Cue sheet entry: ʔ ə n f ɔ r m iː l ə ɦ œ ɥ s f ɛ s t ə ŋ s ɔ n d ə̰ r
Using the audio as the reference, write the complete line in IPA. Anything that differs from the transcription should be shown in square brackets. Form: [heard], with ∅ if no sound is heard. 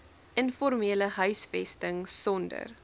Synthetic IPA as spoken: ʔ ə n f ɔ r m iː l ə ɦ œ ɥ s f ɛ s t ə ŋ s ɔ n d ə̰ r